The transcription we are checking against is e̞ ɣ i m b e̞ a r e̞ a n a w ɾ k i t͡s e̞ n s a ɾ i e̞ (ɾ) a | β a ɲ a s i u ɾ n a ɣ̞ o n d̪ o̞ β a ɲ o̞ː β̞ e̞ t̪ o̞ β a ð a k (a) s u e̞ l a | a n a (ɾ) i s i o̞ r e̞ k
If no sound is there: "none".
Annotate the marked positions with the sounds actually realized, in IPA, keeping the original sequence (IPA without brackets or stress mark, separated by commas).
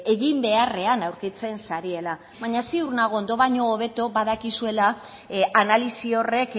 l, i, l